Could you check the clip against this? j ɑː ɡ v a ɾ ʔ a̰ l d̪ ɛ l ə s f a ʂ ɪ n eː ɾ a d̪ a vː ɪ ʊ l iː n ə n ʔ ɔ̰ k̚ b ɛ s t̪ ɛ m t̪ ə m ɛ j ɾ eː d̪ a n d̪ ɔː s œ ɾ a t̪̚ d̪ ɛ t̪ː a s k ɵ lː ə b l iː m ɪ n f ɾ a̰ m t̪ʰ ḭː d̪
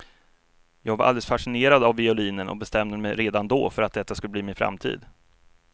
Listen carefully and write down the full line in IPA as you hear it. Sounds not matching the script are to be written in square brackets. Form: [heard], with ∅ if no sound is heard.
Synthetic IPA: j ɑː ɡ v a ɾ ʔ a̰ l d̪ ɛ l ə s f a ʂ ɪ n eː ɾ a d̪ a vː ɪ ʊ l iː n ə n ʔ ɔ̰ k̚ b ɛ s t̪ ɛ m [d̪] ə m ɛ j ɾ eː d̪ a n d̪ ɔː [f] œ ɾ a t̪̚ d̪ ɛ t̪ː a s k ɵ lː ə b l iː m ɪ n f ɾ a̰ m t̪ʰ ḭː d̪